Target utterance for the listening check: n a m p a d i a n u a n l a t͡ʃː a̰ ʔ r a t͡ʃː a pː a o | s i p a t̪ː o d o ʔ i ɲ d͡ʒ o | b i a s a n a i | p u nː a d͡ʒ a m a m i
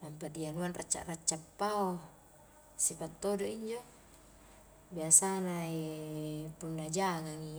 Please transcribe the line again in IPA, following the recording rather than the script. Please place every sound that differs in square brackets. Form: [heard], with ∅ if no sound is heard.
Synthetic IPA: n a m p a d i a n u a n [r] a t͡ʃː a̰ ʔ r a t͡ʃː a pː a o | s i p a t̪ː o d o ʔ i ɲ d͡ʒ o | b i a s a n a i | p u nː a d͡ʒ a [ŋ] a [ŋ] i

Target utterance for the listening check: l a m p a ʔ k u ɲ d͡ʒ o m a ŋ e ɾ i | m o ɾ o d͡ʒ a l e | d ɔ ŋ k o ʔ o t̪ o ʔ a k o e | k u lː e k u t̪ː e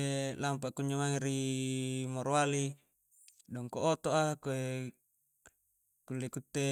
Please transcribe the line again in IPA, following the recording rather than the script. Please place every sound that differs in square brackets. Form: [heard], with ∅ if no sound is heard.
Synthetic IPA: l a m p a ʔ k u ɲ d͡ʒ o m a ŋ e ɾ i | m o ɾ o [∅] a l [i] | d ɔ ŋ k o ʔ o t̪ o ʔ a k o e | k u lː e k u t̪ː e

